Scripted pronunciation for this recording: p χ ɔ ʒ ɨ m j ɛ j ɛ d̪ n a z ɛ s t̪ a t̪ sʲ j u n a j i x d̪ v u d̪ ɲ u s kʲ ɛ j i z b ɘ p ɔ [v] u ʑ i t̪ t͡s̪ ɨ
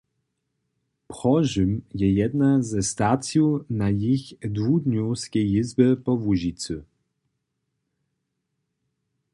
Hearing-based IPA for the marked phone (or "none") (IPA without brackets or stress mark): v